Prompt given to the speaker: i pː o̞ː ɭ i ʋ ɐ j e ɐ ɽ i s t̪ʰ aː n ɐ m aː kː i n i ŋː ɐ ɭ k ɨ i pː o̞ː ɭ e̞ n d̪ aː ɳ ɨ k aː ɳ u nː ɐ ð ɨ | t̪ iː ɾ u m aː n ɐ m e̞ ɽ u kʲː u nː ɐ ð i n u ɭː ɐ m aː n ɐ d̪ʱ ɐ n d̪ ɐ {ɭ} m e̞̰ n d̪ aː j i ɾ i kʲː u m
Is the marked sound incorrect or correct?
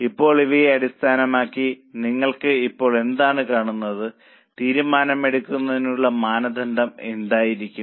incorrect: none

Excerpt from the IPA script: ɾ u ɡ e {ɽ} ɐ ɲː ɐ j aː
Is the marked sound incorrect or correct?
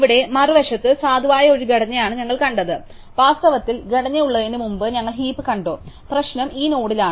correct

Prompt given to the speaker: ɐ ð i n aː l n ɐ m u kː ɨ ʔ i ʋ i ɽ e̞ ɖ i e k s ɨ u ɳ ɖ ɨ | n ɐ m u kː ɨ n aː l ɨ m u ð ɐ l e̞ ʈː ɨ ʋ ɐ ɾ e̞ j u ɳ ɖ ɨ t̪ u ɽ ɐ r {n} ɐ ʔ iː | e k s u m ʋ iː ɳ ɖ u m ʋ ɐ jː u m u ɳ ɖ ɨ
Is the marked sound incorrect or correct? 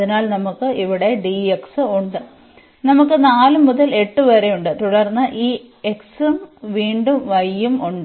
incorrect: nː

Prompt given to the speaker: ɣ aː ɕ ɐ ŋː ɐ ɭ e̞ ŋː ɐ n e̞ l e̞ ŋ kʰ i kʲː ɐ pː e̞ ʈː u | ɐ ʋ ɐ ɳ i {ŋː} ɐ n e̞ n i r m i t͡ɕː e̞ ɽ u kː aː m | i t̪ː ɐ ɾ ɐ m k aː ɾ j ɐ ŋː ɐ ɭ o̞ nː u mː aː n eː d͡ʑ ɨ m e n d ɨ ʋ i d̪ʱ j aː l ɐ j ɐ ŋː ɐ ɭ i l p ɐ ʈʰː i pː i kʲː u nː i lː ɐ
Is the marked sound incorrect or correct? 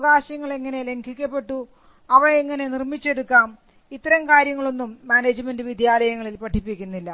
correct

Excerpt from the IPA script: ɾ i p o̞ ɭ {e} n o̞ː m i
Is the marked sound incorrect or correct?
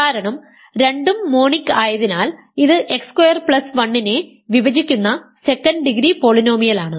incorrect: i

